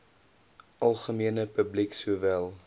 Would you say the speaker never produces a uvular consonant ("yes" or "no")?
no